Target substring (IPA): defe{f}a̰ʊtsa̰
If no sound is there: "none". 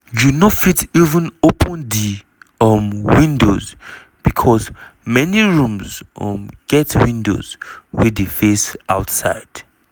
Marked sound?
s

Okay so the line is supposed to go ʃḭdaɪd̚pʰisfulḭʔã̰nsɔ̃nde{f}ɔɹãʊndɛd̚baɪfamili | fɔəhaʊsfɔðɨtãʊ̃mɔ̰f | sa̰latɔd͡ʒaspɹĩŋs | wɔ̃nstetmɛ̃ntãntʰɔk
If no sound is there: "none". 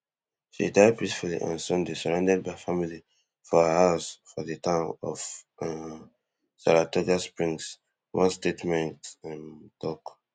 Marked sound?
s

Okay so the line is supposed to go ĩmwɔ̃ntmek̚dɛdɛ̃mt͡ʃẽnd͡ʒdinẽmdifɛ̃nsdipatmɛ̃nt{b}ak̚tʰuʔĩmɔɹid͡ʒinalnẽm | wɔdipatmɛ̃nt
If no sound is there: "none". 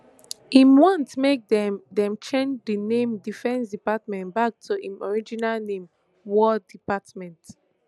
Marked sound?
b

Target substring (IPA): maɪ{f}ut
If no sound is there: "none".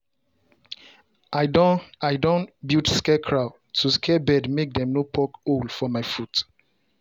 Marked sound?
f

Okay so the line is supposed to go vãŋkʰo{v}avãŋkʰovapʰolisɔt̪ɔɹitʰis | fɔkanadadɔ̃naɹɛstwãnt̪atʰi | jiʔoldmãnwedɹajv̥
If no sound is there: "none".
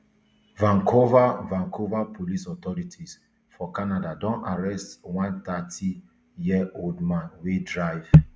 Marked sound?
v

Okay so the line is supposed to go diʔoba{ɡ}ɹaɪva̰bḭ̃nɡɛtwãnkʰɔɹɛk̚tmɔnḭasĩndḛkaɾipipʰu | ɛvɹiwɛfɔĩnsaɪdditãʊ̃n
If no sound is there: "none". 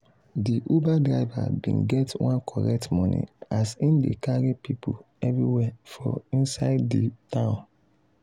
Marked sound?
d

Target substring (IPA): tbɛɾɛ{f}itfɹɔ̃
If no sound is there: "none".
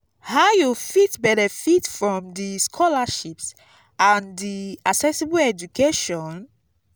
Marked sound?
f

